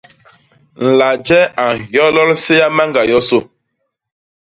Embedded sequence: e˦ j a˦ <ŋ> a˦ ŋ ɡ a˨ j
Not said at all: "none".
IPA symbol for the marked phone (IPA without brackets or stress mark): m